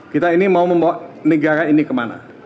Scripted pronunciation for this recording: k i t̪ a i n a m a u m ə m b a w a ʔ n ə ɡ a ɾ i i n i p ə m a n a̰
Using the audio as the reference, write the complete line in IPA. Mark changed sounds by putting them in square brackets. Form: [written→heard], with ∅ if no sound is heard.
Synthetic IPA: k i t̪ a i n [a→i] m a u m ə m b a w a ʔ n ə ɡ a ɾ [i→a] i n i [p→k] ə m a n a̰